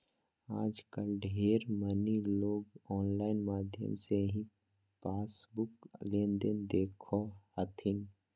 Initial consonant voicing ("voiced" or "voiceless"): voiced